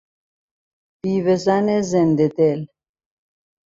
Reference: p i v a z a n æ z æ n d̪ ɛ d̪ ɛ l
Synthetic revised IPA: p i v ɛ z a n ɛ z ɛ n d̪ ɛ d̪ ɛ l